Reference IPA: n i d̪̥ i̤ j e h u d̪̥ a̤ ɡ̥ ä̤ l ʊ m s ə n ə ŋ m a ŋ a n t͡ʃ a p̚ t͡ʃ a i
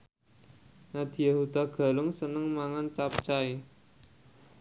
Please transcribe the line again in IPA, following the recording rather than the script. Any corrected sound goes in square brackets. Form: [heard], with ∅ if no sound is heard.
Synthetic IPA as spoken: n [a] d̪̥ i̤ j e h u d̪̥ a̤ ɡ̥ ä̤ l ʊ [ŋ] s ə n ə ŋ m a ŋ a n t͡ʃ a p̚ t͡ʃ a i